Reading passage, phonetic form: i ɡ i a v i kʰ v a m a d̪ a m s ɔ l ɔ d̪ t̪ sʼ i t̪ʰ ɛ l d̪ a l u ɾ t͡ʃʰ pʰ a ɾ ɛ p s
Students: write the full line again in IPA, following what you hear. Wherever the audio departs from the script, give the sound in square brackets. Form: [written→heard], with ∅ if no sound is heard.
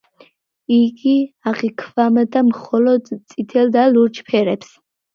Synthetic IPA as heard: i ɡ i a [v→ʁ] i kʰ v a m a d̪ a m [s→χ] ɔ l ɔ d̪ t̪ sʼ i t̪ʰ ɛ l d̪ a l u ɾ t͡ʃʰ pʰ [a→ɛ] ɾ ɛ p s

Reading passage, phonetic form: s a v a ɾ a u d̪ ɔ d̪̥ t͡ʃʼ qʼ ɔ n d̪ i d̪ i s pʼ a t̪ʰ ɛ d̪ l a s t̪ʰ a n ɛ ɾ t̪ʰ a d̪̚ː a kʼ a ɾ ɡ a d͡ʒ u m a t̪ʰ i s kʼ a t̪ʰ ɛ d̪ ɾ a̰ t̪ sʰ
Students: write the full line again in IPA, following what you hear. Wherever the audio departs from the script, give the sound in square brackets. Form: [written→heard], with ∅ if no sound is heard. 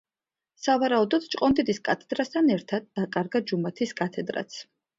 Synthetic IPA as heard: s a v a ɾ a u d̪ ɔ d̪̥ t͡ʃʼ qʼ ɔ n d̪ i d̪ i s [pʼ→kʼ] a t̪ʰ ɛ d̪ [l→ɾ] a s t̪ʰ a n ɛ ɾ t̪ʰ a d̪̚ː a kʼ a ɾ ɡ a d͡ʒ u m a t̪ʰ i s kʼ a t̪ʰ ɛ d̪ ɾ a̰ t̪ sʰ

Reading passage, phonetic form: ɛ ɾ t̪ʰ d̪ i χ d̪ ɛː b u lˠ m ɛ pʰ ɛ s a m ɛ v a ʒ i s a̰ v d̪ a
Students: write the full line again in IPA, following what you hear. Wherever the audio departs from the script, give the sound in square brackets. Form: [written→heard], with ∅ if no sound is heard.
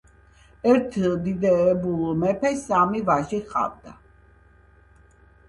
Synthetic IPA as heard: ɛ ɾ t̪ʰ d̪ i [χ→∅] d̪ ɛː b u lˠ m ɛ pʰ ɛ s a m [ɛ→i] v a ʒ i [s→χ] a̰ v d̪ a

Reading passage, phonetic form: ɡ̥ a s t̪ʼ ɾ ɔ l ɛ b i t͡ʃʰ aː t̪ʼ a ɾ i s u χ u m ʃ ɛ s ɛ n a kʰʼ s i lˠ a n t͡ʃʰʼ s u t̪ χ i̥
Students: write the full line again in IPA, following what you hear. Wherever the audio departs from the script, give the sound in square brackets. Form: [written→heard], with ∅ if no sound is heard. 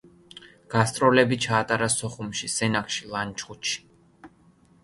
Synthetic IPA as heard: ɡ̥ a s t̪ʼ ɾ ɔ l ɛ b i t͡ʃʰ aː t̪ʼ a ɾ [i→a] s [u→ɔ] χ u m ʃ [ɛ→i] s ɛ n a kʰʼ [s→ʃ] i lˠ a n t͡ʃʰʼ [s→χ] u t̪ [χ→ʃ] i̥

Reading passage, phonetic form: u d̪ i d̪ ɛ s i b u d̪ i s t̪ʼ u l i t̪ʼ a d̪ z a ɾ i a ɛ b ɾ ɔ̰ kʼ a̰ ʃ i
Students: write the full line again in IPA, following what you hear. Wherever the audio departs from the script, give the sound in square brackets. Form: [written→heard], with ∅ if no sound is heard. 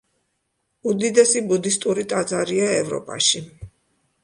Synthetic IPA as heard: u d̪ i d̪ ɛ s i b u d̪ i s t̪ʼ u [l→ɾ] i t̪ʼ a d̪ z a ɾ i a ɛ [b→v] ɾ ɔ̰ [kʼ→pʼ] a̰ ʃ i

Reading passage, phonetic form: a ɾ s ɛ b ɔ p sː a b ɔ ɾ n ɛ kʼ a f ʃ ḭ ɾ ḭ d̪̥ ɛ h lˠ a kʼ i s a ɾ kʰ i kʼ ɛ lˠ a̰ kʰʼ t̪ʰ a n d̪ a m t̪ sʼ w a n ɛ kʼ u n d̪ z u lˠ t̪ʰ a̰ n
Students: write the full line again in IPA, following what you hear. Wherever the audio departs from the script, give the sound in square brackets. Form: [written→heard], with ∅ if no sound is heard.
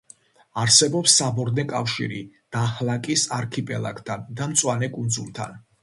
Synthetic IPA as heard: a ɾ s ɛ b ɔ p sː a b ɔ ɾ n ɛ kʼ a f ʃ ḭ ɾ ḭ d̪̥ [ɛ→a] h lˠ a kʼ i s a ɾ kʰ i [kʼ→pʼ] ɛ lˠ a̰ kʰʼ t̪ʰ a n d̪ a m t̪ sʼ w a n ɛ kʼ u n d̪ z u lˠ t̪ʰ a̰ n

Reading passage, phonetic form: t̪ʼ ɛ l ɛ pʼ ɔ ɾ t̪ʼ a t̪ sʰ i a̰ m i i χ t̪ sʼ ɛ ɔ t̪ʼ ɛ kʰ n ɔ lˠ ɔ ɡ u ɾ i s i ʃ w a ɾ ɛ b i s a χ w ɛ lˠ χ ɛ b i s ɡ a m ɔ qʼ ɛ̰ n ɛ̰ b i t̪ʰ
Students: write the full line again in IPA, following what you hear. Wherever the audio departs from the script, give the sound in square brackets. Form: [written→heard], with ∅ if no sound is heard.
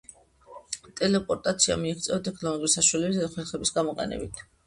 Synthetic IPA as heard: t̪ʼ ɛ l ɛ pʼ ɔ ɾ t̪ʼ a t̪ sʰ i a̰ m i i χ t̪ sʼ ɛ ɔ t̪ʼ ɛ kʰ n ɔ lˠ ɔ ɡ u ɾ i s [i→a] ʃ w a [ɾ→l] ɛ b i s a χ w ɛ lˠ χ ɛ b i s ɡ a m ɔ qʼ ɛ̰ n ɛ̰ b i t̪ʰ

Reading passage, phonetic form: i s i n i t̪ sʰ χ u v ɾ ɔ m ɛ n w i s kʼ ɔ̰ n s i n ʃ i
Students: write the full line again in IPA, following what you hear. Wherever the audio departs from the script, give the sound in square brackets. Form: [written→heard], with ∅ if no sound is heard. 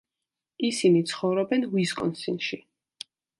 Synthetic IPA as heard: i s i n i t̪ sʰ χ [u→ɔ] v ɾ ɔ [m→b] ɛ n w i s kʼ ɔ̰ n s i n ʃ i

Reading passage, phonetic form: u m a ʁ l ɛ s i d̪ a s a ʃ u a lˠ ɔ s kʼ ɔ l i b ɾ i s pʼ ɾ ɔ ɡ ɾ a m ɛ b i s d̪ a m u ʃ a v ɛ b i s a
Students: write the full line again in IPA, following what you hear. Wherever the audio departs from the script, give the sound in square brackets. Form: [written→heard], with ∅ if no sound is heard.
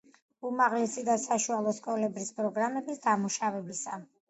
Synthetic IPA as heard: u m a ʁ l ɛ s i d̪ a s a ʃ u a lˠ ɔ s kʼ ɔ l [i→ɛ] b ɾ i s pʼ ɾ ɔ ɡ ɾ a m ɛ b i s d̪ a m u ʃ a v ɛ b i s a

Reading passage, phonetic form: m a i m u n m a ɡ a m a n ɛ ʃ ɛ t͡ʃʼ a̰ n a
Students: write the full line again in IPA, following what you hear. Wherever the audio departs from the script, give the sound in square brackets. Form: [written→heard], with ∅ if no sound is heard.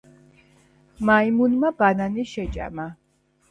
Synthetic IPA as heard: m a i m u n m a [ɡ→b] a [m→n] a n [ɛ→i] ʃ ɛ t͡ʃʼ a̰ [n→m] a

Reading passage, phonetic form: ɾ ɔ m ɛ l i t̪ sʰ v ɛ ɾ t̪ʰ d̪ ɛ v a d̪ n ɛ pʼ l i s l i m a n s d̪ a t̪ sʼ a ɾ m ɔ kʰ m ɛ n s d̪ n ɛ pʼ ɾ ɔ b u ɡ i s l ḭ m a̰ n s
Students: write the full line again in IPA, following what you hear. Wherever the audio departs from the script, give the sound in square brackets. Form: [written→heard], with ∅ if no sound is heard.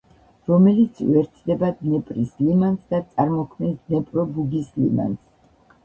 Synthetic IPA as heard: ɾ ɔ m ɛ l i t̪ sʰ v ɛ ɾ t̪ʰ d̪ ɛ [v→b] a d̪ n ɛ pʼ [l→ɾ] i s l i m a n s d̪ a t̪ sʼ a ɾ m ɔ kʰ m ɛ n s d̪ n ɛ pʼ ɾ ɔ b u ɡ i s l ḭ m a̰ n s

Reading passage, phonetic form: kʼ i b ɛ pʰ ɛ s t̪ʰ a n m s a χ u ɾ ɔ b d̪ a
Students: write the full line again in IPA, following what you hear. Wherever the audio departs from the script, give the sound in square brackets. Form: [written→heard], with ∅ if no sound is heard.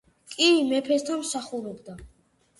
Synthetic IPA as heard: kʼ i [b→m] ɛ pʰ ɛ s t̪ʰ a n m s a χ u ɾ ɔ b d̪ a

